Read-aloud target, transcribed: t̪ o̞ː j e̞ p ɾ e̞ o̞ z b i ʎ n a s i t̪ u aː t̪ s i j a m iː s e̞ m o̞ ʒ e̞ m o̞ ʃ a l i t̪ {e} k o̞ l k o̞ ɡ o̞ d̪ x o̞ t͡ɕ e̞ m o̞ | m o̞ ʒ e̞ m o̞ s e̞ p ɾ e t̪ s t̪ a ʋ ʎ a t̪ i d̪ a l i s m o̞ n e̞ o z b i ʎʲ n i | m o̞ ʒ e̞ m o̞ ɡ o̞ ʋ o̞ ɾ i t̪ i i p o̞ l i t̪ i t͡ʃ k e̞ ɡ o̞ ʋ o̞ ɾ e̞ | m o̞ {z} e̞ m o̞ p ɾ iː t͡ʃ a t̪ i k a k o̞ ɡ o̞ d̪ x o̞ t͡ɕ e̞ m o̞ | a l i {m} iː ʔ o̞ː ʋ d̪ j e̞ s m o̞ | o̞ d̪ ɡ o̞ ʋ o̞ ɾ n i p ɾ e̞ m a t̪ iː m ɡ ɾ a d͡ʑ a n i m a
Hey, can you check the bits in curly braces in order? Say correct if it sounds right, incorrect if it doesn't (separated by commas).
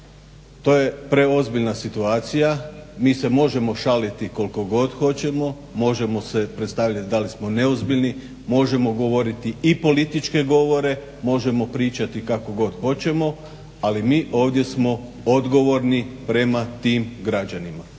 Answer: incorrect, incorrect, correct